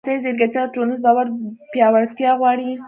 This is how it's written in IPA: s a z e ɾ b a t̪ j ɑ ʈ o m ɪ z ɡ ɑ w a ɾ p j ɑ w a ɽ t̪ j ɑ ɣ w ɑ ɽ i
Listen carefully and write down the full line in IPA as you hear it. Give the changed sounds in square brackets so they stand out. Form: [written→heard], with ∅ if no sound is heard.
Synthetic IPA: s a z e ɾ [b→ɡ] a t̪ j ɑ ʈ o [m→n] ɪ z [ɡ→b] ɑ w a ɾ p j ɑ w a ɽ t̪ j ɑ ɣ w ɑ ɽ i